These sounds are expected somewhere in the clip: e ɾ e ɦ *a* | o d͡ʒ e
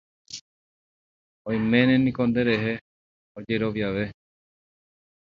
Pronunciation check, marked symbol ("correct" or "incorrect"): incorrect